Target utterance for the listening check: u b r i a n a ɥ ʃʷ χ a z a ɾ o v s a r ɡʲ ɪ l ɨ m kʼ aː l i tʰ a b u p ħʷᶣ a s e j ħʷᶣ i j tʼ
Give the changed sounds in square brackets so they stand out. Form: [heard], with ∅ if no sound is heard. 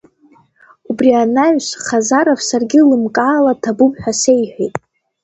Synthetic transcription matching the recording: u b r i a n a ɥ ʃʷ χ a z a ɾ o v s a r ɡʲ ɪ l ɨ m kʼ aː l [a] tʰ a b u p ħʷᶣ a s e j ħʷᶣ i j tʼ